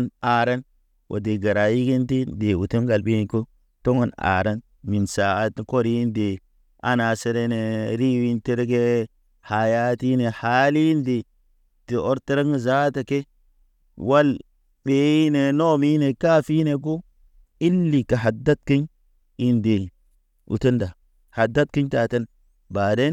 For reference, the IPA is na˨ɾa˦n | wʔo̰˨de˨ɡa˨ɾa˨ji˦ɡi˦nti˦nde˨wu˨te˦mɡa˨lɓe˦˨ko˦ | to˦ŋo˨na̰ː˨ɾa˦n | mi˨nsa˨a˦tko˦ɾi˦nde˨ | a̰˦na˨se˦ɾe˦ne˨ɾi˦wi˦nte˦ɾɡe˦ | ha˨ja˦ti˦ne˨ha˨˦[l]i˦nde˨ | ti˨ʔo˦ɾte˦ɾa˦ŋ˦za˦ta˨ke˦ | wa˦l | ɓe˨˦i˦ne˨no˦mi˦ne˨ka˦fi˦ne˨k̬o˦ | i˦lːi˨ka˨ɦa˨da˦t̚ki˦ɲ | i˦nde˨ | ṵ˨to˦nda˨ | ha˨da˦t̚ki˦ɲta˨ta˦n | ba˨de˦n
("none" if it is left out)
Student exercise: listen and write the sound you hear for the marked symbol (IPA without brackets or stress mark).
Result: l